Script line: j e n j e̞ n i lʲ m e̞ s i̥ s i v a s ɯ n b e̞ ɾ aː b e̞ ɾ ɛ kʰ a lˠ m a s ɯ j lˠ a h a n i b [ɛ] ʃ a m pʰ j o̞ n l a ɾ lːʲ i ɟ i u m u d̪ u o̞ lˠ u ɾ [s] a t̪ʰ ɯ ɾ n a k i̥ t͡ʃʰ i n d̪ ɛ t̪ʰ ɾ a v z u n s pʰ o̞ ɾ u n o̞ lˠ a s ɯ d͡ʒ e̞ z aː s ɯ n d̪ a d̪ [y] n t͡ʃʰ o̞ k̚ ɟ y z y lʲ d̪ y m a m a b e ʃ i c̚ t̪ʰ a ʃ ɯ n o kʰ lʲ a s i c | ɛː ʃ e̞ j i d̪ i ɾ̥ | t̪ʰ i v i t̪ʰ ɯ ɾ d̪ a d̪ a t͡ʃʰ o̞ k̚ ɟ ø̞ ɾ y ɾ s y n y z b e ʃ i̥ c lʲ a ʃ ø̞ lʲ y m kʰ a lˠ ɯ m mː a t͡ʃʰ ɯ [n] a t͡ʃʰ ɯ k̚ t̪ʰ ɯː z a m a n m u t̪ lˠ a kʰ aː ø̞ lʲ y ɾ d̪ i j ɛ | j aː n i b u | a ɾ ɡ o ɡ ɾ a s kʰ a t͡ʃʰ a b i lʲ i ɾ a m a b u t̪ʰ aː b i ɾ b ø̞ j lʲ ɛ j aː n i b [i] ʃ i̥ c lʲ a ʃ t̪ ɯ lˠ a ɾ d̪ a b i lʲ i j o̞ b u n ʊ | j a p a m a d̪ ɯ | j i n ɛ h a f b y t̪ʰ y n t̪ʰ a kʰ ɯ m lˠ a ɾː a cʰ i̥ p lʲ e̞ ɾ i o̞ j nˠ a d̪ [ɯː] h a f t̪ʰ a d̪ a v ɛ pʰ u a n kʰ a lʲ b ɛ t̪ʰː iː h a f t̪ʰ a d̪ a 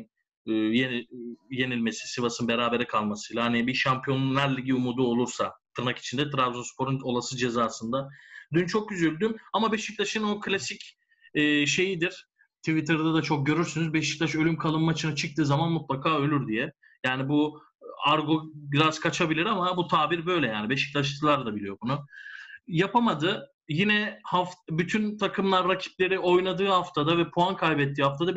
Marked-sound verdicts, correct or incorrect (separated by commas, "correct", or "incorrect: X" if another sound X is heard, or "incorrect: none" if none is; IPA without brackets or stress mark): incorrect: i, correct, correct, correct, incorrect: e, correct